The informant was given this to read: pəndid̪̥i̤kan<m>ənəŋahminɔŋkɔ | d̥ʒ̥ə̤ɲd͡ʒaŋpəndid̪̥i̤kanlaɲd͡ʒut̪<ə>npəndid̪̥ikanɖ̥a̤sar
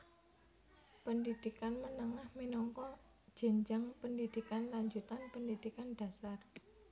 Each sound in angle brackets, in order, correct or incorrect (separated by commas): correct, incorrect